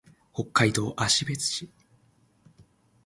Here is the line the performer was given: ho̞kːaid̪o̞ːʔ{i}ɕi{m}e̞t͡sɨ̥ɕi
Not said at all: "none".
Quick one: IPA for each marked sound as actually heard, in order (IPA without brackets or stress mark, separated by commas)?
a, b